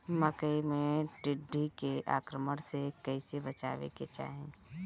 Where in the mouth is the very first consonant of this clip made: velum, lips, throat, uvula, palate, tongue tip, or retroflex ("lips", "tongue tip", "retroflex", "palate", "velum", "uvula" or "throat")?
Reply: lips